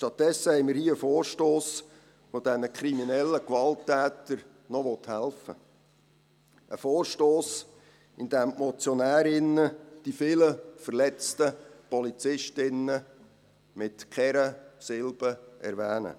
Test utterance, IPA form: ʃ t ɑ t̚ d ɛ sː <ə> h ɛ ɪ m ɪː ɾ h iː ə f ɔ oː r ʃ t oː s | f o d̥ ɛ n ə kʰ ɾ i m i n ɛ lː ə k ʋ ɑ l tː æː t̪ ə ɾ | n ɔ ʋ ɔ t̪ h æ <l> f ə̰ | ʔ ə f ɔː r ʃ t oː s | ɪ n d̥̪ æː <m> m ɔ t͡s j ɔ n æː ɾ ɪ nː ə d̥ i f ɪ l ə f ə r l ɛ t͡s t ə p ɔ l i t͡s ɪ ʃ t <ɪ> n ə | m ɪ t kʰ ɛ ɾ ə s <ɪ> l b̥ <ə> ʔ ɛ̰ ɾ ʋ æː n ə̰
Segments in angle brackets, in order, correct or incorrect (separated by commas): correct, correct, correct, correct, correct, correct